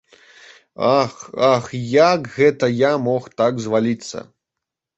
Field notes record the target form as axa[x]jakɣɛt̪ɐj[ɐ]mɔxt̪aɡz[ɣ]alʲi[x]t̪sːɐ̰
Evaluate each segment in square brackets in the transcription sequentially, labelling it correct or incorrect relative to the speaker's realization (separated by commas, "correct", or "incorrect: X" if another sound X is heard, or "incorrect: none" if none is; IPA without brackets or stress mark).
correct, incorrect: a, incorrect: v, incorrect: none